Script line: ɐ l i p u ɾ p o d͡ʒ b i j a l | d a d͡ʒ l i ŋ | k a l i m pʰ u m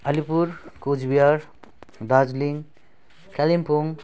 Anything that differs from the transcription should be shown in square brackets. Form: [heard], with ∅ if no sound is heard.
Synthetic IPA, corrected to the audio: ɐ l i p u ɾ [k] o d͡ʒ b i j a [ɾ] | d a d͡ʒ l i ŋ | k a l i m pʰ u [ŋ]